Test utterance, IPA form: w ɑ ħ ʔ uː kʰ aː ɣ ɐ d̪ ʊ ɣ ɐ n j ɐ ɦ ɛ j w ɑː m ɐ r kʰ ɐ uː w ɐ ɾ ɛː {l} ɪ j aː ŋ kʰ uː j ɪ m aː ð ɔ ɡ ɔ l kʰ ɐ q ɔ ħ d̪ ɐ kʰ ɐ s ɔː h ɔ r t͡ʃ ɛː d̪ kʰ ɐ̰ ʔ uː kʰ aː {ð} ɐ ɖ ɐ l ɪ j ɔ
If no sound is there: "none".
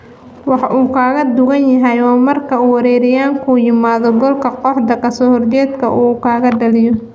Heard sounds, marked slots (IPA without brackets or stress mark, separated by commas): ɾ, ɣ